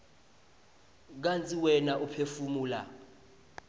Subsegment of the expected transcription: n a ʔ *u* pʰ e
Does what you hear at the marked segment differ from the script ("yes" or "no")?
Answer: no